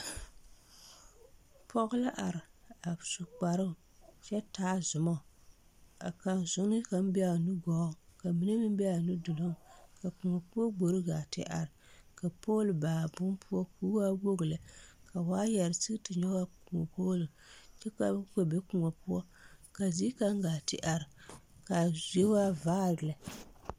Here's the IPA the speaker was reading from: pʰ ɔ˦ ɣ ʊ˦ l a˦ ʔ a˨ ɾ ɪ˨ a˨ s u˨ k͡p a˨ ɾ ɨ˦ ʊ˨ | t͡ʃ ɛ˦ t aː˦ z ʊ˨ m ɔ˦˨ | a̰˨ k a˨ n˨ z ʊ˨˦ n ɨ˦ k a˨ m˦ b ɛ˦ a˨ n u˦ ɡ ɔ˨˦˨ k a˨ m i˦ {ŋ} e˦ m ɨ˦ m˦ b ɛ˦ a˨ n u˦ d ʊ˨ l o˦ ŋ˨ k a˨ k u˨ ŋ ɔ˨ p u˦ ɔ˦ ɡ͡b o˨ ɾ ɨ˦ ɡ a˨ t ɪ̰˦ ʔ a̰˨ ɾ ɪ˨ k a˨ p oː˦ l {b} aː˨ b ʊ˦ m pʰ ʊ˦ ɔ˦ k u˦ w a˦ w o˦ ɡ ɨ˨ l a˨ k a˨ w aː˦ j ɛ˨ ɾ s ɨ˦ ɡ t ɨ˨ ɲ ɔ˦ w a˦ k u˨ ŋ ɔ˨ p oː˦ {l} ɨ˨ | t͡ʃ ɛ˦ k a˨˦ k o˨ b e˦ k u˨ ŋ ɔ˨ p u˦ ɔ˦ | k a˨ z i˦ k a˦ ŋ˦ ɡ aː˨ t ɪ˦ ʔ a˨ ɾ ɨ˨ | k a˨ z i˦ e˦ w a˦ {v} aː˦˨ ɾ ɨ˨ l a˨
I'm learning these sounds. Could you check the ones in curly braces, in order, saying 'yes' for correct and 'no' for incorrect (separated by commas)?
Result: no, yes, yes, yes